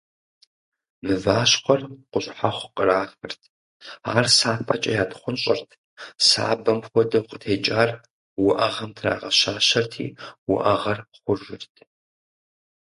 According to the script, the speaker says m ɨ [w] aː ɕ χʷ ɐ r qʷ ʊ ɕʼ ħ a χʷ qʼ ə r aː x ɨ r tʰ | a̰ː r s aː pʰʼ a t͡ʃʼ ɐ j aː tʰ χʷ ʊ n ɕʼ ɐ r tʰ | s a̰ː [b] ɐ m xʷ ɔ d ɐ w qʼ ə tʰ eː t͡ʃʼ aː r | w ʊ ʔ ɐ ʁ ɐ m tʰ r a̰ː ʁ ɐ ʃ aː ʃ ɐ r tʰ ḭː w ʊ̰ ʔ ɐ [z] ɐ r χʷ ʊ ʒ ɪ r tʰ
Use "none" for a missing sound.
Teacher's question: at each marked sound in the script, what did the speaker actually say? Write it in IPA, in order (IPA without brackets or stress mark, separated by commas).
v, b, ʁ